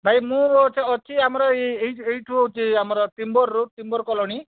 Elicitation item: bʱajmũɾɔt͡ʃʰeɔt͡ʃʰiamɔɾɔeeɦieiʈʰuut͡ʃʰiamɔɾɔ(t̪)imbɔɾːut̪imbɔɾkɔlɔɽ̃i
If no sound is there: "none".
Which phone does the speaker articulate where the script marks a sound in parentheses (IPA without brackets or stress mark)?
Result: t̪